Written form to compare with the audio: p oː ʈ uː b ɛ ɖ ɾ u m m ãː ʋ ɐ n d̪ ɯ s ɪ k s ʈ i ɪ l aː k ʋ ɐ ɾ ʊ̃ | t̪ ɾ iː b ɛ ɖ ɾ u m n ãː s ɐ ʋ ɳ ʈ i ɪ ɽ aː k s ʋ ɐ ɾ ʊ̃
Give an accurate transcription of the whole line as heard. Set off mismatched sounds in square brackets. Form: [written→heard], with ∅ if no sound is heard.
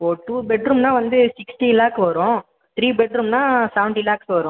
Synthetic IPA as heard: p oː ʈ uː b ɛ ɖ ɾ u m [m→n] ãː ʋ ɐ n d̪ ɯ s ɪ k s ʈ i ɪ l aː k ʋ ɐ ɾ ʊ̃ | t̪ ɾ iː b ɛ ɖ ɾ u m n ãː s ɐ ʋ ɳ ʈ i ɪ [ɽ→l] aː k s ʋ ɐ ɾ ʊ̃